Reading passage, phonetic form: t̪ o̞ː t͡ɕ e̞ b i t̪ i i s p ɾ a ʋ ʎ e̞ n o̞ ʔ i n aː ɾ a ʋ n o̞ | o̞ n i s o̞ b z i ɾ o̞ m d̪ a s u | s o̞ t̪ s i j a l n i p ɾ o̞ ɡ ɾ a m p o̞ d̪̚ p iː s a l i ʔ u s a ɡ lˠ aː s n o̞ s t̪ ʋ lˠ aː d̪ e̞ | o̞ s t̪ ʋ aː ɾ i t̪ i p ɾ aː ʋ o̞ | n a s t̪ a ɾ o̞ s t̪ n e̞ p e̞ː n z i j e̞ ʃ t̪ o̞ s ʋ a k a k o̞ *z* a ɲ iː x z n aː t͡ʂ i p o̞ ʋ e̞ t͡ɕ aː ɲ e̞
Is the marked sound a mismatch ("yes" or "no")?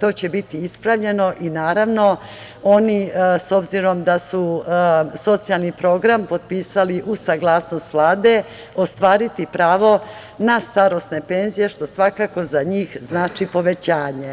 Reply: no